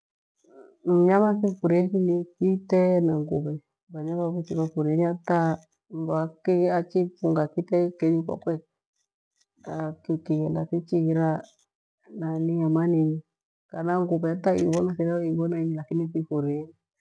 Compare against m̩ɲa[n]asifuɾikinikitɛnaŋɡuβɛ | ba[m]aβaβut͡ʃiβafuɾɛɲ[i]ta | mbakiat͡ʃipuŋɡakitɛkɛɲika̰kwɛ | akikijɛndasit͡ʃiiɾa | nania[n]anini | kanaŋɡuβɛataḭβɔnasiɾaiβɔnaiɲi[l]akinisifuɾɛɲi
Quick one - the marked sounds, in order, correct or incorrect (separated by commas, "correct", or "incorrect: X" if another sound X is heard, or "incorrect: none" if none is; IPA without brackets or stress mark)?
incorrect: m, incorrect: ɲ, incorrect: a, incorrect: m, correct